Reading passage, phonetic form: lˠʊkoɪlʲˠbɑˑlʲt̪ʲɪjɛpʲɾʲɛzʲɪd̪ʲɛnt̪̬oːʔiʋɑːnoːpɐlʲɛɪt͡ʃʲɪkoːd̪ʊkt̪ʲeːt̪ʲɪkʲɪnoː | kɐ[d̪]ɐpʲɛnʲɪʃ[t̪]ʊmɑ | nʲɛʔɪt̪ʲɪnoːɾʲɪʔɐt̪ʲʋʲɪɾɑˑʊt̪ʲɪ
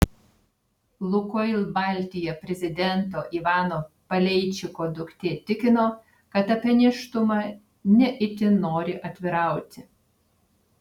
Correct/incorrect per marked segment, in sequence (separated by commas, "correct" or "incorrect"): incorrect, correct